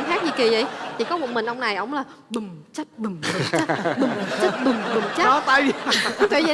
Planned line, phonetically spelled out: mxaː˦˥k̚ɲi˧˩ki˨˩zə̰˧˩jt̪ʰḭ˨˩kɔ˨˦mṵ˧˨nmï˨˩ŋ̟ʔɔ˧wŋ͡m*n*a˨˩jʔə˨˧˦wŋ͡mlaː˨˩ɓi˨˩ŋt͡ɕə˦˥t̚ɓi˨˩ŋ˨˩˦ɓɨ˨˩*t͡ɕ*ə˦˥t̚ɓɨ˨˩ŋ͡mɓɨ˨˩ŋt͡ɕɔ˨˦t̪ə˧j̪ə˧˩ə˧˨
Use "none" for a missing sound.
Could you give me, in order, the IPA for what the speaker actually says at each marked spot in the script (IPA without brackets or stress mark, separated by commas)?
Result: n, t͡ɕ